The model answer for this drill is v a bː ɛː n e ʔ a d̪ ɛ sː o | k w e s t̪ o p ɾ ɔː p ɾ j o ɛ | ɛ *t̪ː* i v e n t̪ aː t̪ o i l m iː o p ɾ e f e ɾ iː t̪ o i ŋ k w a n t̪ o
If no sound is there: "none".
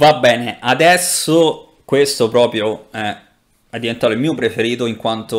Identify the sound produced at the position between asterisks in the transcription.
d̪ː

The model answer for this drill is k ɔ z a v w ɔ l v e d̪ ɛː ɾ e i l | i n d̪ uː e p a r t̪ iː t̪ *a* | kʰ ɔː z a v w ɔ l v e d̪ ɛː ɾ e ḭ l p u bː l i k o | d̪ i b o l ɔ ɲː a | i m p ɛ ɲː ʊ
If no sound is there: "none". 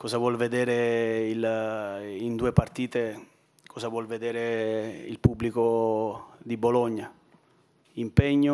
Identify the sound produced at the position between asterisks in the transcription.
e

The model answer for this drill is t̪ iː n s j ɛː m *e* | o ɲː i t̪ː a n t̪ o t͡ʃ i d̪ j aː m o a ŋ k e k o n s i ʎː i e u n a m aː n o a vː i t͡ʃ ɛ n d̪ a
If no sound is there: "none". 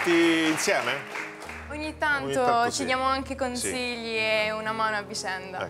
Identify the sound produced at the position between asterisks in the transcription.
e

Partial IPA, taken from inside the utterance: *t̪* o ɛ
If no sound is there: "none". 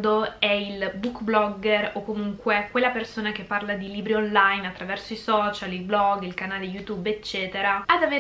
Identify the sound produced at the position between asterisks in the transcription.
d̪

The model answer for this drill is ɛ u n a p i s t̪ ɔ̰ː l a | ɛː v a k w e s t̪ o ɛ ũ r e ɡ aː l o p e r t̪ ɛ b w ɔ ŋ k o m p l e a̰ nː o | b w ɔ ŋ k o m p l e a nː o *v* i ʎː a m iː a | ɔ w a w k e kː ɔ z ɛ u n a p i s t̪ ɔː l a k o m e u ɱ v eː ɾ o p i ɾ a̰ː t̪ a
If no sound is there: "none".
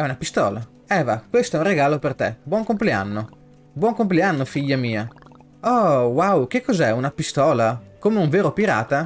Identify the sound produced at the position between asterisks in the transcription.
f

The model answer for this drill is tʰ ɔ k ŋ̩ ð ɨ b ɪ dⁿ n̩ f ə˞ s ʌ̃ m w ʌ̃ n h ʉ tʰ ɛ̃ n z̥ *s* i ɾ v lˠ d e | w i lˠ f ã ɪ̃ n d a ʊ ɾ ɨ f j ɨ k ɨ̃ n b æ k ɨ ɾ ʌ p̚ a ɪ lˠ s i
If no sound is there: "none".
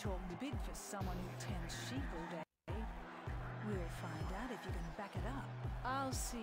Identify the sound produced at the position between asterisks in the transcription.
ʃ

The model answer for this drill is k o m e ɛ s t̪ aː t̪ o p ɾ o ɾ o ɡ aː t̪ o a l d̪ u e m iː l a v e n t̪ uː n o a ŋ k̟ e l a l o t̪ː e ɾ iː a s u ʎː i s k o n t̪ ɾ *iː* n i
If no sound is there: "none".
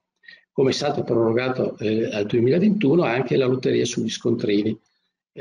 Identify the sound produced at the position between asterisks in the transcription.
iː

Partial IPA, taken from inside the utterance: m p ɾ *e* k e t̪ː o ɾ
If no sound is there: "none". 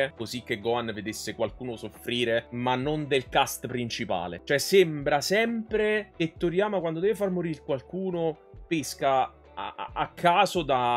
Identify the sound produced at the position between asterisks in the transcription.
e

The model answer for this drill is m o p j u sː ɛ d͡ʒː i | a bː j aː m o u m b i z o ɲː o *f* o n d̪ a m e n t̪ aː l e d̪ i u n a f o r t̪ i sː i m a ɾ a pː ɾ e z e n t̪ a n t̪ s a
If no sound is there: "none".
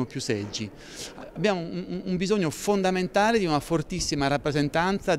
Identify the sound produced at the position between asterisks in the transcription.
f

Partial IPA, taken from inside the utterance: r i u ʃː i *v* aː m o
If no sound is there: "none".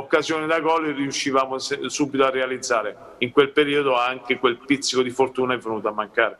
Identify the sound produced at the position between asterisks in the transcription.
v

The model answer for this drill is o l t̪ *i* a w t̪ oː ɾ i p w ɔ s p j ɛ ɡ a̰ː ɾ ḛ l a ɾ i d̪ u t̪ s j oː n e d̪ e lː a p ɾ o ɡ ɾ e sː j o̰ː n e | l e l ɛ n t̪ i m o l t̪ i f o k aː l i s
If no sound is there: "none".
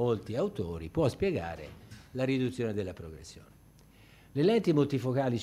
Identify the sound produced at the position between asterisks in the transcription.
i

